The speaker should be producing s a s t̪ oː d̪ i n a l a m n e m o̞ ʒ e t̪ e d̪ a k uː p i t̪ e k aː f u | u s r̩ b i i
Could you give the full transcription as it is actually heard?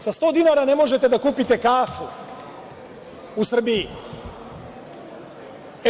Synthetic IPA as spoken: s a s t̪ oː d̪ i n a ɾ a n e m o̞ ʒ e t̪ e d̪ a k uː p i t̪ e k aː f u | u s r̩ b i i